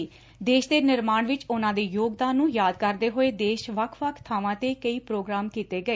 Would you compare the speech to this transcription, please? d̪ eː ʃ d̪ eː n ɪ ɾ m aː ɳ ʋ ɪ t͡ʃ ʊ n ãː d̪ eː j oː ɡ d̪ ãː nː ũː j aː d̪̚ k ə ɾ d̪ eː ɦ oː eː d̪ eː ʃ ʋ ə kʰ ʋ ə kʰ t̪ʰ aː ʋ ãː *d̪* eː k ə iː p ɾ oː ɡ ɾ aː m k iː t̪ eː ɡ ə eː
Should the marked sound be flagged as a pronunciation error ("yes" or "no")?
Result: yes